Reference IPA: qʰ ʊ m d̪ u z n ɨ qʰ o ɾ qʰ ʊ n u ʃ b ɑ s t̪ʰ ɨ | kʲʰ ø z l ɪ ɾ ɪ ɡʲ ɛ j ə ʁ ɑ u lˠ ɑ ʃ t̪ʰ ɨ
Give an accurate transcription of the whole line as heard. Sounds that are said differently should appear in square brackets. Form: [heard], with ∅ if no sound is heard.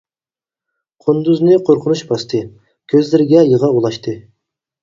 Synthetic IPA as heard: qʰ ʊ [n] d̪ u z n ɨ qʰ o ɾ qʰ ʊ n u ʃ b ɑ s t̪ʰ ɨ | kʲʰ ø z l ɪ ɾ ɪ ɡʲ ɛ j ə ʁ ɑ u lˠ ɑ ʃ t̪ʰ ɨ